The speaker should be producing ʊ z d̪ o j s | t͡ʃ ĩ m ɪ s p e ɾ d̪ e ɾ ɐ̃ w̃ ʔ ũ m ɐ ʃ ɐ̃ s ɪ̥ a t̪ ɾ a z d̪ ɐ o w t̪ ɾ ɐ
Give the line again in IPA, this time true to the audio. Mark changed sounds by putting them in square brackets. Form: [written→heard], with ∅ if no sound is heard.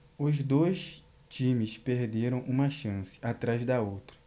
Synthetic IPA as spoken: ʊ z d̪ o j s | t͡ʃ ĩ m ɪ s p e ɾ d̪ e ɾ ɐ̃ w̃ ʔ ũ m ɐ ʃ ɐ̃ s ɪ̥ a t̪ ɾ a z d̪ ɐ o w t̪ ɾ ɐ